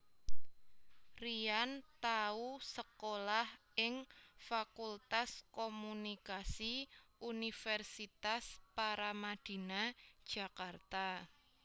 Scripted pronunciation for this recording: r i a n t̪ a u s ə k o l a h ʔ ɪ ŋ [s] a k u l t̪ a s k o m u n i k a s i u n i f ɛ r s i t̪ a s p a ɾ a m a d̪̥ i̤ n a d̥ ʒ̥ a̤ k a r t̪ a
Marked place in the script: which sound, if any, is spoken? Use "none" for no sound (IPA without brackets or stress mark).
f